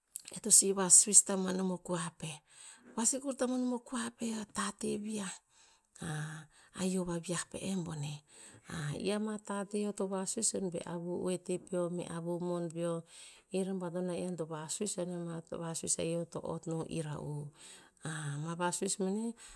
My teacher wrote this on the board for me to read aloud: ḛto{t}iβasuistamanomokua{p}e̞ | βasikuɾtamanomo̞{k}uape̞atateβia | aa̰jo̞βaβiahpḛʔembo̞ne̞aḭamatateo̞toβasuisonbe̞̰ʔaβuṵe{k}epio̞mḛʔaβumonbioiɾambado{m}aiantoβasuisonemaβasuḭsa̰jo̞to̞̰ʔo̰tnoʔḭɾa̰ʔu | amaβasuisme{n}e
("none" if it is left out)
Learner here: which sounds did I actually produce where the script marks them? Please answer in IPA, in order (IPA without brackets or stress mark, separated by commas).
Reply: s, p, k, t, n, n